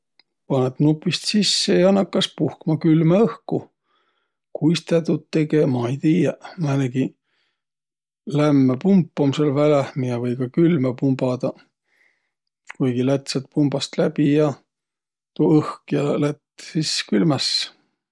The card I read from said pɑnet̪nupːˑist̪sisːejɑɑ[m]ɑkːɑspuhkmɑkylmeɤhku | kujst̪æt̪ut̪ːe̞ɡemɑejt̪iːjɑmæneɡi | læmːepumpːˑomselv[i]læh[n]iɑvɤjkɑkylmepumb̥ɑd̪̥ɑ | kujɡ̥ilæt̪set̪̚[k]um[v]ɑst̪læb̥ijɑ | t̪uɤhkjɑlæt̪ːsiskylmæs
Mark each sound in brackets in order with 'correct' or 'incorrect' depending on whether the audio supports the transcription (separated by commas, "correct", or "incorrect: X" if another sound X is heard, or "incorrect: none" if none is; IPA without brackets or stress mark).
incorrect: n, incorrect: æ, incorrect: m, incorrect: p, incorrect: b